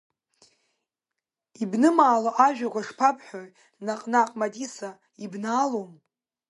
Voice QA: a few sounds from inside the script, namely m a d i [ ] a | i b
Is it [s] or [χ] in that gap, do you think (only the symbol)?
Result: s